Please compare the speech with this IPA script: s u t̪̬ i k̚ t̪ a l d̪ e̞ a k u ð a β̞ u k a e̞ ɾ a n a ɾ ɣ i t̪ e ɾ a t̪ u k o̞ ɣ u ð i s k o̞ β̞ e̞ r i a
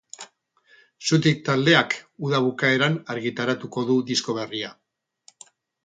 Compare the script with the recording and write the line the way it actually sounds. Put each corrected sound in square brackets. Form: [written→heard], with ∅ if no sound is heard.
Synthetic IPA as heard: s u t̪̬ i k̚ t̪ a l d̪ e̞ a k u ð a β̞ u k a e̞ ɾ a n a ɾ ɣ i t̪ [e→a] ɾ a t̪ u k o̞ [ɣ→ð] u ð i s k o̞ β̞ e̞ r i a